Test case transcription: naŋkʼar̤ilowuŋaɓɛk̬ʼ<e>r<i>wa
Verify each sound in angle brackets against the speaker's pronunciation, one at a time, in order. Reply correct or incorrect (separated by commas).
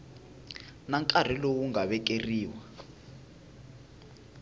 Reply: correct, incorrect